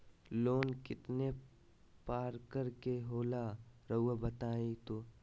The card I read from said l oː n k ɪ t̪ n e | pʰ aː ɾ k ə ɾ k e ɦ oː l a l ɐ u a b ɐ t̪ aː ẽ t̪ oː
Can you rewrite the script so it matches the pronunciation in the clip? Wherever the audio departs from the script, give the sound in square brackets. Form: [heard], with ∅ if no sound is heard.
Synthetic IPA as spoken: l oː n k ɪ t̪ n e | [p] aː ɾ k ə ɾ k e ɦ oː l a [ɾ] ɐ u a b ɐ t̪ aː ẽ t̪ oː